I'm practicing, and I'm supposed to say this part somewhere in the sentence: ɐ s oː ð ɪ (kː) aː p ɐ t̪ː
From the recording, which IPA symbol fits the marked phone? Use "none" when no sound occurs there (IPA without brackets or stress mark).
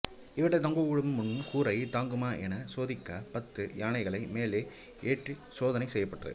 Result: kː